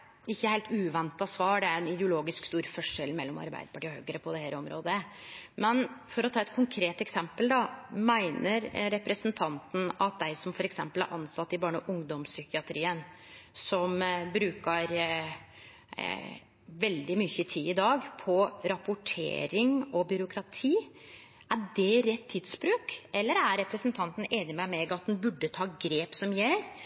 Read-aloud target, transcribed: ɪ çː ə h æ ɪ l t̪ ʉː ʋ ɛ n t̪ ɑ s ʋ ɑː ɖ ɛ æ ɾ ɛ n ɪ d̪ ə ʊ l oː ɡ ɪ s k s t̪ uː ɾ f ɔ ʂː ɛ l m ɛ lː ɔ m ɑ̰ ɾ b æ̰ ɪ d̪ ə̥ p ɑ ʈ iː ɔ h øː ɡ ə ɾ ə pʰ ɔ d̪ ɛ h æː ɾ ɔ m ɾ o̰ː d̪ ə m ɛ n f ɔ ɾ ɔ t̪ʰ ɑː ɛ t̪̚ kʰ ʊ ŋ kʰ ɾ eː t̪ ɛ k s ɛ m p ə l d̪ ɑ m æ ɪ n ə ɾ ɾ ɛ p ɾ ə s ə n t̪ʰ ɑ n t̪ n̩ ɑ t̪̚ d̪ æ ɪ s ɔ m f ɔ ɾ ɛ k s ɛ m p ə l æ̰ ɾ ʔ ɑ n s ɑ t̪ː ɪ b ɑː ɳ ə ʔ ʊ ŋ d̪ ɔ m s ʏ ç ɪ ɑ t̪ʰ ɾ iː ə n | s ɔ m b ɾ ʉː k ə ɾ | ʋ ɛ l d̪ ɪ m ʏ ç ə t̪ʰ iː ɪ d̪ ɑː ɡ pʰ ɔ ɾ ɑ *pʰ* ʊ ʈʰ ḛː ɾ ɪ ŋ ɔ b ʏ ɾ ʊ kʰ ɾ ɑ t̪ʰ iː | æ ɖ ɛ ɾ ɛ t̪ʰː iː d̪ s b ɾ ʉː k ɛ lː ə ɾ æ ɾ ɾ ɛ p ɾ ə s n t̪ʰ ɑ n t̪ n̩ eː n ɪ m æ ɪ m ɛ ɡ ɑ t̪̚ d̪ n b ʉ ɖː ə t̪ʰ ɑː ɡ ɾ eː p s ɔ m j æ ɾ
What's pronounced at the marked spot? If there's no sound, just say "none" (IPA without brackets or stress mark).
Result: p